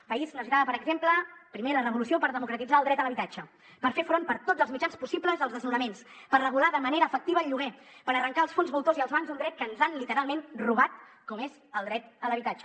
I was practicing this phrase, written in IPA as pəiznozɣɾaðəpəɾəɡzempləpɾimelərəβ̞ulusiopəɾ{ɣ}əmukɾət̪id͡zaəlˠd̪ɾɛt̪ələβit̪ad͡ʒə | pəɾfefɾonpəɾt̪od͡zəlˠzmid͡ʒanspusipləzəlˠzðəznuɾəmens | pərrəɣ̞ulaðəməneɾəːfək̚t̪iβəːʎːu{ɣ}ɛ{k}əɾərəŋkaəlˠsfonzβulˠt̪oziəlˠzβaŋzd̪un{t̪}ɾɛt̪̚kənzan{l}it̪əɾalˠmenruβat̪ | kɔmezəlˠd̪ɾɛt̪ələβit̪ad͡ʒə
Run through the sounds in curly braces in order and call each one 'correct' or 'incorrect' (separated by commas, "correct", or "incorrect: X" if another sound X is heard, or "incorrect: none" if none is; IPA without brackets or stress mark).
incorrect: ð, correct, incorrect: p, incorrect: d̪, correct